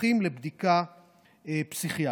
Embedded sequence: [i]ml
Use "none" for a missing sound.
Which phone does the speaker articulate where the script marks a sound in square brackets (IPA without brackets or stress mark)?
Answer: i